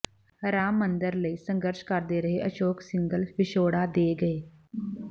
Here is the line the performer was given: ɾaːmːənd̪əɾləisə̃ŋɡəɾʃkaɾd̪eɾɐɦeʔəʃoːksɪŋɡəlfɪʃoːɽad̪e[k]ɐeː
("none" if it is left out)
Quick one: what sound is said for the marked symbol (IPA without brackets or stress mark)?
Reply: ɡ